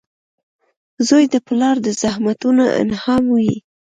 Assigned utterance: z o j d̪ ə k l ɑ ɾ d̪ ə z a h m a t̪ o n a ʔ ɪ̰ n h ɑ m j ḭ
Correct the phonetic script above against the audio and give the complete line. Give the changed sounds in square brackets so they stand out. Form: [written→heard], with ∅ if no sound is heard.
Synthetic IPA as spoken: z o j d̪ ə [k→p] l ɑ ɾ d̪ ə z a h m a t̪ [o→u] n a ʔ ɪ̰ n h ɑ m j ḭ